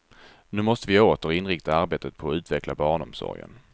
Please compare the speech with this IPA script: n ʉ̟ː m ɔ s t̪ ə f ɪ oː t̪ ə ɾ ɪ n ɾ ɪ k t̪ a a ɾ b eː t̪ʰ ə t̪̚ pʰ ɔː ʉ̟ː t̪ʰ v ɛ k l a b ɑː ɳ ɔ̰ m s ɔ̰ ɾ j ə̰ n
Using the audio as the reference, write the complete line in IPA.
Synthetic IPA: n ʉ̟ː m ɔ s t̪ ə v ɪ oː t̪ ə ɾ ɪ n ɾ ɪ k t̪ a a ɾ b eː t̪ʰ ə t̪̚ pʰ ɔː ʉ̟ː t̪ v ɛ k l a b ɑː ɳ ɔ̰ m s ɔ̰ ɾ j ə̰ n